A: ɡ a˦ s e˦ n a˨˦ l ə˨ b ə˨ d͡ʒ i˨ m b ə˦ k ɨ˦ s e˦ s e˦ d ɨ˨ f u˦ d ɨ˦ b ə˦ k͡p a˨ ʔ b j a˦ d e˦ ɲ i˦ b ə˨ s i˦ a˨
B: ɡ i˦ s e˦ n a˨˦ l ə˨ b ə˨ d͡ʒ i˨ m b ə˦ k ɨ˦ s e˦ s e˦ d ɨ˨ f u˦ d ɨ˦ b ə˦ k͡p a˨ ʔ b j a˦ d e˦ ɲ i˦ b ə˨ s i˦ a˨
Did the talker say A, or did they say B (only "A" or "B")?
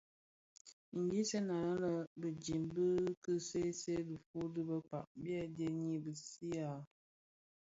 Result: B